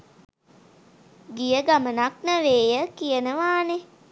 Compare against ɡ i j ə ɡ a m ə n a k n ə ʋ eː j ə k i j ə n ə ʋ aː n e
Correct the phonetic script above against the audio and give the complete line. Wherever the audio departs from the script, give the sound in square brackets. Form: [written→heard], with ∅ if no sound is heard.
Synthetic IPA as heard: ɡ i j ə ɡ a m ə n a k n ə ʋ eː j ə k i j ə n ə ʋ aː n e